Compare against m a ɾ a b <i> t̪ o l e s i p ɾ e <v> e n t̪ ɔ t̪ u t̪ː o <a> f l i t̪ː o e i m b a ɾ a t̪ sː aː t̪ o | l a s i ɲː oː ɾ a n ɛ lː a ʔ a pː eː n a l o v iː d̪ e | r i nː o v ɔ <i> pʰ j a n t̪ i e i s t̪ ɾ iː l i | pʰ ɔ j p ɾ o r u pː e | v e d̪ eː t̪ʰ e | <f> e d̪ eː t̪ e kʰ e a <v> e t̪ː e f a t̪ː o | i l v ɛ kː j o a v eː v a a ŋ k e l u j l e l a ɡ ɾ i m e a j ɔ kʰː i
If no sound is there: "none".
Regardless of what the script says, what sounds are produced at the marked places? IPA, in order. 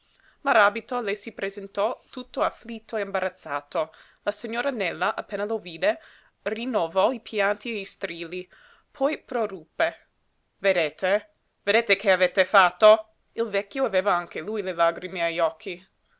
i, z, a, i, v, v

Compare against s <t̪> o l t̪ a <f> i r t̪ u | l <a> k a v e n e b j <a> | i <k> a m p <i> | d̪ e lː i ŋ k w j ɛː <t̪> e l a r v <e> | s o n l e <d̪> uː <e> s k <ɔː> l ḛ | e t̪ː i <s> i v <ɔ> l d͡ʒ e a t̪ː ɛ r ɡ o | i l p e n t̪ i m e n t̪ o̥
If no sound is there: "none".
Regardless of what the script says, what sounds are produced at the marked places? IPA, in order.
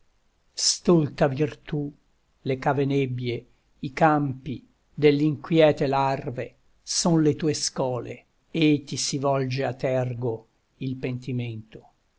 t̪, v, e, e, k, i, t̪, e, t̪, e, ɔː, s, ɔ

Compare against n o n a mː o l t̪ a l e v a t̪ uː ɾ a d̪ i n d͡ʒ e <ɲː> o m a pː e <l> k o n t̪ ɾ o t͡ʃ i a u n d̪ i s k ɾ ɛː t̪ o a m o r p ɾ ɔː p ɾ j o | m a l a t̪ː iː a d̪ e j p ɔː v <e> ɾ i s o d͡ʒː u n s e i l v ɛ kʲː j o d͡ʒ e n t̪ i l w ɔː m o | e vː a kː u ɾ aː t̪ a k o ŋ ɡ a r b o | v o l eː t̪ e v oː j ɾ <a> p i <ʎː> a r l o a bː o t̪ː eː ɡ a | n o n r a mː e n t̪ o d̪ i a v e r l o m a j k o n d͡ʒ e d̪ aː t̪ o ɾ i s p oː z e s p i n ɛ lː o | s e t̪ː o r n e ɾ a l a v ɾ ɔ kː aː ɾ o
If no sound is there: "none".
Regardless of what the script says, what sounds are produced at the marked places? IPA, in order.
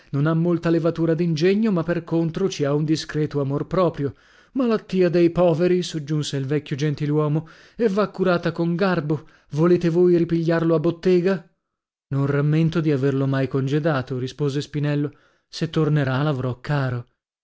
ɲː, r, e, i, ʎː

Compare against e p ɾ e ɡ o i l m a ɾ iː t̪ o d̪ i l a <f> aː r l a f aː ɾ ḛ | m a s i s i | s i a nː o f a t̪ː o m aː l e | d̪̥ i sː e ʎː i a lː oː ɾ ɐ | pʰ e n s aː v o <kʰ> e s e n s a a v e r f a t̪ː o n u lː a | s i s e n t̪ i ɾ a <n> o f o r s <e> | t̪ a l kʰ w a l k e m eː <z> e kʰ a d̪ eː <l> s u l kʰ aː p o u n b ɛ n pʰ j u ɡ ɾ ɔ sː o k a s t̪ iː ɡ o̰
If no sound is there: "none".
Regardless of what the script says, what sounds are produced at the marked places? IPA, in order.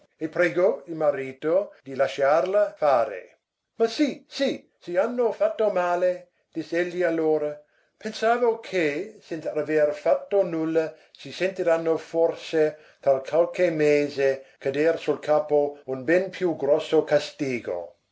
ʃ, kʰ, nː, e, z, r

